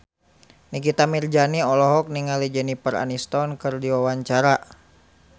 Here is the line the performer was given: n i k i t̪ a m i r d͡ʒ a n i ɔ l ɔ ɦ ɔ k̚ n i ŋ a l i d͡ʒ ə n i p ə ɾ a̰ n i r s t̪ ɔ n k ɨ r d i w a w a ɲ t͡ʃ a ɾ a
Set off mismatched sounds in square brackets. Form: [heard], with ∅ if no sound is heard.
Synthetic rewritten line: n i k i t̪ a m i r d͡ʒ a n i ɔ l ɔ ɦ ɔ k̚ n i ŋ a l i d͡ʒ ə n i p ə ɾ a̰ n i [∅] s t̪ ɔ n k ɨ r d i w a w a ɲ t͡ʃ a ɾ a